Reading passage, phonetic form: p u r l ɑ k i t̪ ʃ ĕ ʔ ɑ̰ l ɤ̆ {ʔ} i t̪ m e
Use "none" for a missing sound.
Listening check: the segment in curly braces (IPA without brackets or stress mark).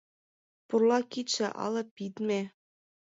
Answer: p